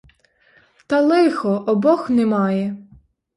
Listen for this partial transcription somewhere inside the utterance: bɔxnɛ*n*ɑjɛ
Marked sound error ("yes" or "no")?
yes